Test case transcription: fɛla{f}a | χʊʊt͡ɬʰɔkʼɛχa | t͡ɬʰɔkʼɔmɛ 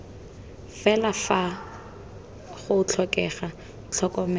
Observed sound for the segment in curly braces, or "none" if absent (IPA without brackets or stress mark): f